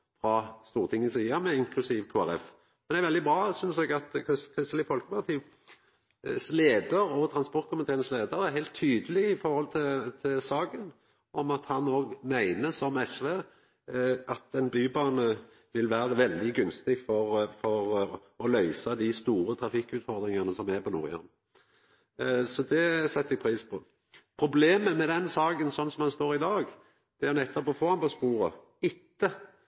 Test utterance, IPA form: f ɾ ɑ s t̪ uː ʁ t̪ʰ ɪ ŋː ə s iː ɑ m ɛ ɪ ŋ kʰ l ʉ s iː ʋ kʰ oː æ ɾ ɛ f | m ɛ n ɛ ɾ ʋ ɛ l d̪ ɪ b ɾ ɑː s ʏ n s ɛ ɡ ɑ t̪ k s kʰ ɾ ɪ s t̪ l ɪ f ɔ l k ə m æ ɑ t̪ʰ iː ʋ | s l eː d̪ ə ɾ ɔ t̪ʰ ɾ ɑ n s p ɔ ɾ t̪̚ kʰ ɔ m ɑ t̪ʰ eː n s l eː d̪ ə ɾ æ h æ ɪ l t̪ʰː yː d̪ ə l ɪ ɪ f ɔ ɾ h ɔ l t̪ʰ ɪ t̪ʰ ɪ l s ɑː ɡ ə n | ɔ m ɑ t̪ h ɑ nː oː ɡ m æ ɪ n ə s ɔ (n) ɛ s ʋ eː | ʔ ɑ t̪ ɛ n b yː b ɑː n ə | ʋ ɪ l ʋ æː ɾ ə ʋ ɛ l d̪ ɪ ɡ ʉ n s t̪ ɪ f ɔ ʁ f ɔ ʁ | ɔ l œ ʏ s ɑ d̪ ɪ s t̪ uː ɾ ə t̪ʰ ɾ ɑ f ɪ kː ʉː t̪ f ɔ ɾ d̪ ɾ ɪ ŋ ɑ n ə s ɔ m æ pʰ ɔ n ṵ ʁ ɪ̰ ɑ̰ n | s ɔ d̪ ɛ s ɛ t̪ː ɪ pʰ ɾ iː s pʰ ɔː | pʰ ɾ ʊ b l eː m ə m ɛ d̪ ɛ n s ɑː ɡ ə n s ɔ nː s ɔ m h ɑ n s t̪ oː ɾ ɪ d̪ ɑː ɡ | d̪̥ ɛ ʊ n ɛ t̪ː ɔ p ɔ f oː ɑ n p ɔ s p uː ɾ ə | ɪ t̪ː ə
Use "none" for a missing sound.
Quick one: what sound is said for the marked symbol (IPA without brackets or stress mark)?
m